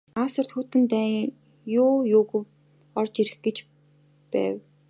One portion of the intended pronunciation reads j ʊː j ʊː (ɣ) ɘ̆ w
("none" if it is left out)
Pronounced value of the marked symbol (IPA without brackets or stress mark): ɣ